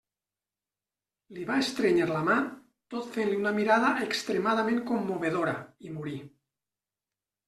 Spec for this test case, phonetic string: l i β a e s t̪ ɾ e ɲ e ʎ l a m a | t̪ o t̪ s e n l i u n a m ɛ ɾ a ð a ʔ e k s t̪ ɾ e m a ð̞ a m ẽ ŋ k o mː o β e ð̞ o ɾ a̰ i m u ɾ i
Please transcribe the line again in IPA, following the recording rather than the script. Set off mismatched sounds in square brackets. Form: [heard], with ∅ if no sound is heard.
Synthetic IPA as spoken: l i β a e s t̪ ɾ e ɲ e [ɾ] l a m a | t̪ o t̪ [f] e n l i u n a m [i] ɾ a ð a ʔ e k s t̪ ɾ e m a ð̞ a m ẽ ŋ k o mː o β e ð̞ o ɾ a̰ i m u ɾ i